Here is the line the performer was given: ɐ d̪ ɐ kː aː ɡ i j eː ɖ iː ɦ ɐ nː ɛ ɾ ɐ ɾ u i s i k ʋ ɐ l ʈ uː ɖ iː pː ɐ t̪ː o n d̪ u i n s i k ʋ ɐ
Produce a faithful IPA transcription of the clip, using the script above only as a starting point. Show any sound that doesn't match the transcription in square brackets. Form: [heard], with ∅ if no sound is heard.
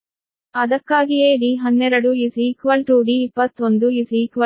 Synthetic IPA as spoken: ɐ d̪ ɐ kː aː ɡ i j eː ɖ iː ɦ ɐ nː ɛ ɾ ɐ [ɽ] u i s i k ʋ ɐ l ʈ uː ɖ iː pː ɐ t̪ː o n d̪ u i [∅] s i k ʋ ɐ